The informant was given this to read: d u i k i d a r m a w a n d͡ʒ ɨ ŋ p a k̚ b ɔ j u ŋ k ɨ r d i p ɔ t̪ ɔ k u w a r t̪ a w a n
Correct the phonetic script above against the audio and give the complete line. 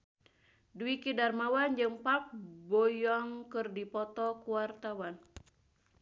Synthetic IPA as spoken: d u i k i d a r m a w a n d͡ʒ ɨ ŋ p a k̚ b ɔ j ɔ ŋ k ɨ r d i p ɔ t̪ ɔ k u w a r t̪ a w a n